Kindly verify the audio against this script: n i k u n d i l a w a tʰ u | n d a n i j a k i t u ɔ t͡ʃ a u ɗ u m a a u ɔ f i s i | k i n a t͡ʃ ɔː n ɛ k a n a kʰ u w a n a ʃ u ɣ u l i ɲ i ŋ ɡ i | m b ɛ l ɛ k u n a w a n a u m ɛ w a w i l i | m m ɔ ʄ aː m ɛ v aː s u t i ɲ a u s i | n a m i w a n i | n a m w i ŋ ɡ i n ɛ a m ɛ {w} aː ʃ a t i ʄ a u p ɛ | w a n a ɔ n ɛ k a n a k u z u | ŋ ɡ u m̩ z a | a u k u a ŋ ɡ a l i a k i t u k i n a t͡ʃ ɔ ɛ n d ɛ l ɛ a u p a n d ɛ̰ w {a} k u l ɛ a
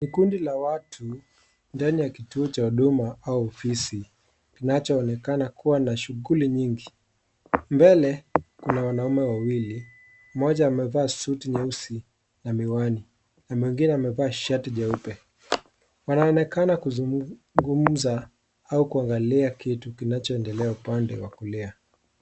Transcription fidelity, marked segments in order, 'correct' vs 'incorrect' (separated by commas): incorrect, correct